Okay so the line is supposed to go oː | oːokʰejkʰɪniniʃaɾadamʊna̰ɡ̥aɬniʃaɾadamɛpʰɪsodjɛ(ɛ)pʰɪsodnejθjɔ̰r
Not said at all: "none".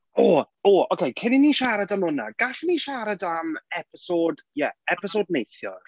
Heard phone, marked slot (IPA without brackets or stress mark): ɛ